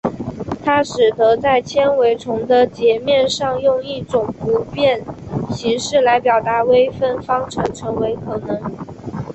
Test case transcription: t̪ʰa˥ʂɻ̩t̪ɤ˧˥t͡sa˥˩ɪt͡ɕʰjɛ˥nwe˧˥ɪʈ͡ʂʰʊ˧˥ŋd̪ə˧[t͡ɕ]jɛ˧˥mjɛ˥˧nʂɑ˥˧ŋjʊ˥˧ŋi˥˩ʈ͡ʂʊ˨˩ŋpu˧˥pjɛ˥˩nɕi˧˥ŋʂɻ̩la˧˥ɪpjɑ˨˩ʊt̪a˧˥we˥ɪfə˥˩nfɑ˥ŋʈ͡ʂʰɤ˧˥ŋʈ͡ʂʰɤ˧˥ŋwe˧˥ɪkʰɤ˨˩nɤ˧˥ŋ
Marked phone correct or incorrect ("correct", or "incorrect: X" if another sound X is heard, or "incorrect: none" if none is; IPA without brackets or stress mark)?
correct